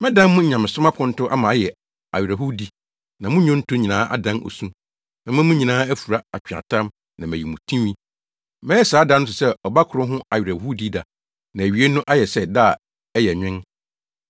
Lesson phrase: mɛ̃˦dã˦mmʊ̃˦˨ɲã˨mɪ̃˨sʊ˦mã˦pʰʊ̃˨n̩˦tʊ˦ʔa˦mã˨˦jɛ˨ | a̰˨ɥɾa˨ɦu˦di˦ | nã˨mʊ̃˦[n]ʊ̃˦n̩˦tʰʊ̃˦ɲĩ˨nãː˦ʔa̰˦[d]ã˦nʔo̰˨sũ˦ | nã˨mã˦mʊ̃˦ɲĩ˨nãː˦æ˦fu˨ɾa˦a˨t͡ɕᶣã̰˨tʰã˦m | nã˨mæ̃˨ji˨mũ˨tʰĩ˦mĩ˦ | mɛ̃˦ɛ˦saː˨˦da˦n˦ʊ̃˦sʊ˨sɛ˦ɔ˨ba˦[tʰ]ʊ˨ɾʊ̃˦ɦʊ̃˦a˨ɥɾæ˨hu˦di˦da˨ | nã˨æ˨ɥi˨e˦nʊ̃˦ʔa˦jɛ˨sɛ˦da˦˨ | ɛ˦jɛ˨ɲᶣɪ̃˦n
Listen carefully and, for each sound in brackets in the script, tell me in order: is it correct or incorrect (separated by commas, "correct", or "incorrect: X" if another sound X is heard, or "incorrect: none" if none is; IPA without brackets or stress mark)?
incorrect: ɲ, correct, incorrect: kʰ